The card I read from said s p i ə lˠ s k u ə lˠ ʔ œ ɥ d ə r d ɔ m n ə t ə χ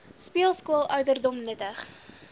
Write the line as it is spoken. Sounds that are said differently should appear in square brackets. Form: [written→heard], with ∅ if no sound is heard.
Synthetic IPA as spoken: s p i ə lˠ s k u ə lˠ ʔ œ ɥ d ə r d ɔ m n ə t ə χ